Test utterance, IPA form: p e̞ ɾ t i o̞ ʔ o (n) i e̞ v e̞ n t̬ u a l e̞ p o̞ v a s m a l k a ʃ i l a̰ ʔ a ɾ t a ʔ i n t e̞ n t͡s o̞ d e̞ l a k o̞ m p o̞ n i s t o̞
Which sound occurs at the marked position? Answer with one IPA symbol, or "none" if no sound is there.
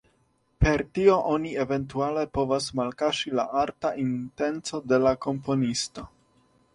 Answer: n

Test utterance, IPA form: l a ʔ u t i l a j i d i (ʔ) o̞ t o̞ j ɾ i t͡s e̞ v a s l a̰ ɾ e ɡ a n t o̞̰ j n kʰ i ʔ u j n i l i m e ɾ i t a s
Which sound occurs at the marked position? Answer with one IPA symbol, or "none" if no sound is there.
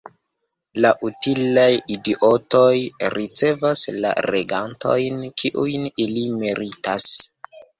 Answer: ʔ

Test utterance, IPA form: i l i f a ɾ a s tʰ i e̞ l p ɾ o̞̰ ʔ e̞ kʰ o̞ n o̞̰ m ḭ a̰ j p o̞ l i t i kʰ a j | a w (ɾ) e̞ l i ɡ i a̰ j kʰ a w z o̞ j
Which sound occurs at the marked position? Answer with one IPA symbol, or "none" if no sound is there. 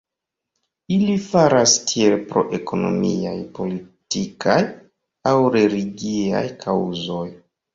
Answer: ɾ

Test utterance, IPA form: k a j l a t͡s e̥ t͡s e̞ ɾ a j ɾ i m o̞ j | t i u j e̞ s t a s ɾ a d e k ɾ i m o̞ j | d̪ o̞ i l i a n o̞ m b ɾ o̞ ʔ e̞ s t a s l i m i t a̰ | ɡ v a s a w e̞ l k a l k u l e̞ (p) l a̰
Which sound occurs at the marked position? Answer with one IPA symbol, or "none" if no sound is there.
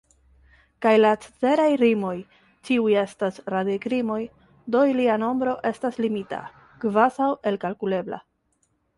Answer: b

